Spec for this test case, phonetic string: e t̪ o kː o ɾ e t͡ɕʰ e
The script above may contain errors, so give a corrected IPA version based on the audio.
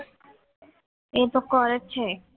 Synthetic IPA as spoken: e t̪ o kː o ɾ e t͡ɕʰ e